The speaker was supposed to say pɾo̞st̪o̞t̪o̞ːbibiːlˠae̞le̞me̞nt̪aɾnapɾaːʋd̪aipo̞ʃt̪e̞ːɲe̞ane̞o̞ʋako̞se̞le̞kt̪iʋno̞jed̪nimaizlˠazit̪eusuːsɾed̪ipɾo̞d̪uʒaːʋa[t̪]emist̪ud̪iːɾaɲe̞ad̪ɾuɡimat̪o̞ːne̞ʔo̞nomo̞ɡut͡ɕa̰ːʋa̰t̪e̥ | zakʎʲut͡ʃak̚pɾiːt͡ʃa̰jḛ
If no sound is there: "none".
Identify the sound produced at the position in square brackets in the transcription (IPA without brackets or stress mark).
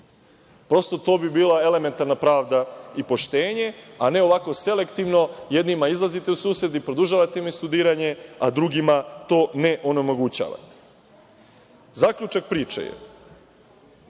t̪